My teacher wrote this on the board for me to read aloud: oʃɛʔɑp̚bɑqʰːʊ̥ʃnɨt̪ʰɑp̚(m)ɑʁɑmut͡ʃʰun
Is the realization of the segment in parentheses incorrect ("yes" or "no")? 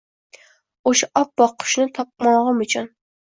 no